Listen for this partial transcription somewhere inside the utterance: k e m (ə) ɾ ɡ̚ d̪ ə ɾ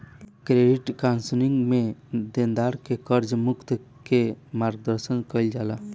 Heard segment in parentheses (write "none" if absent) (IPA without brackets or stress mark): a